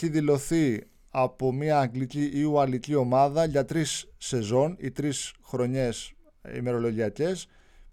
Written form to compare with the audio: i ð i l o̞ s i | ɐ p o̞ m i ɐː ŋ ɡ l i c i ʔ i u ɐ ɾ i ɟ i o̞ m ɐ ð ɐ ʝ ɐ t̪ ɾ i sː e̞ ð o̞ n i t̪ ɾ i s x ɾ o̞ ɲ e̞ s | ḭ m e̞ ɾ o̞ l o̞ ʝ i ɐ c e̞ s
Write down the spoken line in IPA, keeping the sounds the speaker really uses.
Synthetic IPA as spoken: i ð i l o̞ θ i | ɐ p o̞ m i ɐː ŋ ɡ l i c i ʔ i u ɐ l i c i o̞ m ɐ ð ɐ ʝ ɐ t̪ ɾ i sː e̞ z o̞ n i t̪ ɾ i s x ɾ o̞ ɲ e̞ s | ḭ m e̞ ɾ o̞ l o̞ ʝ i ɐ c e̞ s